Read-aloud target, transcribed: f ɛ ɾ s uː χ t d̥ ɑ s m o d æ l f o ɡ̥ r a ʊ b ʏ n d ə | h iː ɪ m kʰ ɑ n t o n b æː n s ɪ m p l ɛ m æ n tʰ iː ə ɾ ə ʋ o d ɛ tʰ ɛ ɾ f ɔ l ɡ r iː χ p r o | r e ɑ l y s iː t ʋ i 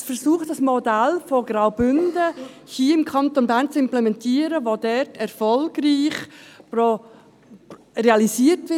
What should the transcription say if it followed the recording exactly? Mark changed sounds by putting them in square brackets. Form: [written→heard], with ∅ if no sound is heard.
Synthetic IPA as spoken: f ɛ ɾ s uː χ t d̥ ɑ s m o d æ l f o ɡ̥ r a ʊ b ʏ n d ə | h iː ɪ m kʰ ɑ n t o n b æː n [s→t͡s] ɪ m p l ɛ m [æ→ɛ] n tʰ iː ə ɾ ə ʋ o d ɛ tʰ ɛ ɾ f ɔ l ɡ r iː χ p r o | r e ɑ l [y→i] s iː t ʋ [i→ɪ]